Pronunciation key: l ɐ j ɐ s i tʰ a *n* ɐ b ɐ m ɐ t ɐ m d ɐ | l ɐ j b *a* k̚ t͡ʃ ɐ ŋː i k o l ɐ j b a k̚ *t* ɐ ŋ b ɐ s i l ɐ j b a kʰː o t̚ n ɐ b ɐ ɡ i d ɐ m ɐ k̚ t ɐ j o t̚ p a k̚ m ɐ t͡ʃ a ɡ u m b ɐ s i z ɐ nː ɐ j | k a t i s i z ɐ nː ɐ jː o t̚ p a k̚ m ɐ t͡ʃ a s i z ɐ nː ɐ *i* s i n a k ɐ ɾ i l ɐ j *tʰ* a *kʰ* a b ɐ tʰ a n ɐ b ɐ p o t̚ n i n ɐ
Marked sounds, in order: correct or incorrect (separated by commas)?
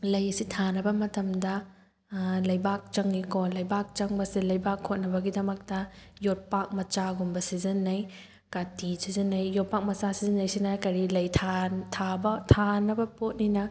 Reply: correct, correct, incorrect, incorrect, correct, incorrect